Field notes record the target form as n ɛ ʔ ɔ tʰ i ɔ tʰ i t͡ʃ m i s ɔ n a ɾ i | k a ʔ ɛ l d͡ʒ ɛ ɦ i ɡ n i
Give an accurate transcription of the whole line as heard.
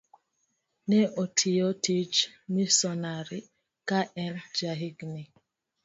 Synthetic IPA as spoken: n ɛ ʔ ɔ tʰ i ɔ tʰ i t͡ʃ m i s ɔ n a ɾ i | k a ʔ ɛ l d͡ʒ a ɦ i ɡ n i

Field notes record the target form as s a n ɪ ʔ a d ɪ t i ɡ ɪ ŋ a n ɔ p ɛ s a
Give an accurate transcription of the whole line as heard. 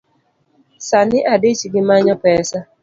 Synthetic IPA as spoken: s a n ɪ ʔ a d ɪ t͡ʃ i ɡ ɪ m a ɲ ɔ p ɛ s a

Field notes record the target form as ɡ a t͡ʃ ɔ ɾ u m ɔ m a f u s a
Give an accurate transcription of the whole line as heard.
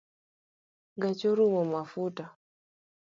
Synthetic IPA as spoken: ɡ a t͡ʃ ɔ ɾ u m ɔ m a f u t a

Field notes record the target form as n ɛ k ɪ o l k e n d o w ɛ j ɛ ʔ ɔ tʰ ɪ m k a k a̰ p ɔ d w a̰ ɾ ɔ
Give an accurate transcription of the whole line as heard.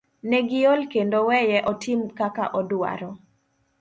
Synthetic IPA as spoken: n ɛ ɡ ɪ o l k e n d o w ɛ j ɛ ʔ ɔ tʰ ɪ m k a k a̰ ʔ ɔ d w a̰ ɾ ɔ

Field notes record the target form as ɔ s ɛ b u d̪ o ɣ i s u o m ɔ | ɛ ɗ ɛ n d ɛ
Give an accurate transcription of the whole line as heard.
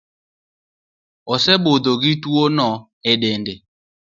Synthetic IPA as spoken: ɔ s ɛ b o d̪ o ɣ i t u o n ɔ | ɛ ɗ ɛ n d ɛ

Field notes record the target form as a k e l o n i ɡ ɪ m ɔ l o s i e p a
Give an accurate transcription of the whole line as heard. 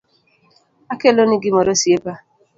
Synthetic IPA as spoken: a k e l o n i ɡ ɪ m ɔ ɾ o s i e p a

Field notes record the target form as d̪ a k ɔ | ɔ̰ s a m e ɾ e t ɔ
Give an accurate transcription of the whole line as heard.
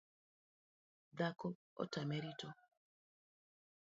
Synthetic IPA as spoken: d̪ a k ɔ | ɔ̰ t a m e ɾ i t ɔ

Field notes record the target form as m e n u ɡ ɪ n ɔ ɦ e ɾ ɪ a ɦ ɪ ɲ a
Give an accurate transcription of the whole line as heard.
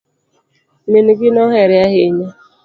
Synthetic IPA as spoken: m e n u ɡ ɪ n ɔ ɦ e ɾ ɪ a ɦ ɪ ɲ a

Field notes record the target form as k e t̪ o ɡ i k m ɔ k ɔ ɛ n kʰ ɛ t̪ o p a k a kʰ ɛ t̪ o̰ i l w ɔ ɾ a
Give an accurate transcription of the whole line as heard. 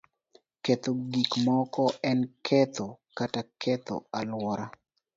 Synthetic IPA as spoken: k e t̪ o ɡ i k m ɔ k ɔ ɛ n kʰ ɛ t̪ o k a t a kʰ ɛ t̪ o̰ a l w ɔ ɾ a

